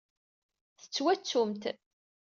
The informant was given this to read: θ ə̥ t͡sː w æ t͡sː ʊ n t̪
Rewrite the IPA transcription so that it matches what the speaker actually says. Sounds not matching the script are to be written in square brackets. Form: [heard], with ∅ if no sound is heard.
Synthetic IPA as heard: θ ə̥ t͡sː w æ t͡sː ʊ [m] t̪